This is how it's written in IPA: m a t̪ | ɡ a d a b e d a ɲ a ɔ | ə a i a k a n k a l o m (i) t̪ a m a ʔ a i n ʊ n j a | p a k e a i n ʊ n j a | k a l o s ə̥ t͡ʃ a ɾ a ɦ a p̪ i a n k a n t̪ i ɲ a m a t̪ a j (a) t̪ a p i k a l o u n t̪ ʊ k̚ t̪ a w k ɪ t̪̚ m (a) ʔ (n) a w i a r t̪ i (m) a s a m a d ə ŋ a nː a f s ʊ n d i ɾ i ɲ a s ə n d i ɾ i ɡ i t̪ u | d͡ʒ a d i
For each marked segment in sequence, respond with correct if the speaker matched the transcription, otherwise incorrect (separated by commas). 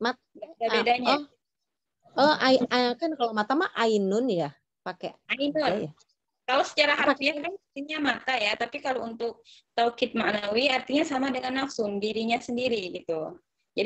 incorrect, correct, correct, correct, incorrect